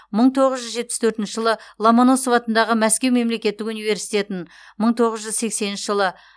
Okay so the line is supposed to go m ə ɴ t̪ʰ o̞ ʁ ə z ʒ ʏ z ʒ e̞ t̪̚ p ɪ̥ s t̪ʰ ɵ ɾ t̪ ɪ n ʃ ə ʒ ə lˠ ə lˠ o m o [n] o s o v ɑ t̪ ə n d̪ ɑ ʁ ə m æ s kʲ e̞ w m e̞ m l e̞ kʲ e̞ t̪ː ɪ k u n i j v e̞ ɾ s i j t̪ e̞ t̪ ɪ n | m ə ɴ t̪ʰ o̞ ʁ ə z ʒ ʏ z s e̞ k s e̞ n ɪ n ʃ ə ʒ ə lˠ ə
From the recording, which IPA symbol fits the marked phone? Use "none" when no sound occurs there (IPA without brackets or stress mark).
n